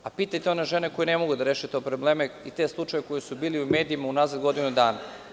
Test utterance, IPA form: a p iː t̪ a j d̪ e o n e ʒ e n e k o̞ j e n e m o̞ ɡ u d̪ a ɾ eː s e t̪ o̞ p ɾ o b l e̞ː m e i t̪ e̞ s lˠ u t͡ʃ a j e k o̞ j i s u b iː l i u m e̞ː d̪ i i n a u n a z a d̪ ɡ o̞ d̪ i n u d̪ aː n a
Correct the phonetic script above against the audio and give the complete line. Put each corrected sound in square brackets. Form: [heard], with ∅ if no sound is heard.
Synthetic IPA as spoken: a p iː t̪ a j [t̪] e o n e ʒ e n e k o̞ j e n e m o̞ ɡ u d̪ a ɾ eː [ʃ] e t̪ o̞ p ɾ o b l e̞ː m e i t̪ e̞ s lˠ u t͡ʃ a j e k o̞ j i s u b iː l i u m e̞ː d̪ i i [m] a u n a z a d̪ ɡ o̞ d̪ i n u d̪ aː n a